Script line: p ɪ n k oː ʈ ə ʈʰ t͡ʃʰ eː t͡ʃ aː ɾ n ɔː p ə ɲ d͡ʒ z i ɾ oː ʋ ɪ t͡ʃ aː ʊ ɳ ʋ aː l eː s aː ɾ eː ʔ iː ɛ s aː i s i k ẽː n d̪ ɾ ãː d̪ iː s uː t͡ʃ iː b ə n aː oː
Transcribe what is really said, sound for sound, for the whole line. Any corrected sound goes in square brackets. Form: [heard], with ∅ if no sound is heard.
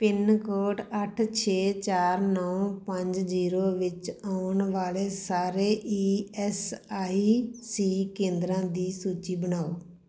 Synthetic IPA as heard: p ɪ n k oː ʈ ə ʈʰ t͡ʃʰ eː t͡ʃ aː ɾ n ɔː p ə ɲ d͡ʒ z [iː] ɾ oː ʋ ɪ t͡ʃ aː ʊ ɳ ʋ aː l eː s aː ɾ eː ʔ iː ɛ s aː i s [iː] k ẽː n d̪ ɾ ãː d̪ iː s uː t͡ʃ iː b ə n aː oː